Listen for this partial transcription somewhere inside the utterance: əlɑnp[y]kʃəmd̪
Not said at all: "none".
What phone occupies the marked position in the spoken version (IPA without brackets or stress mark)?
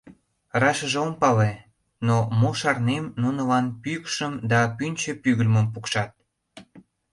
y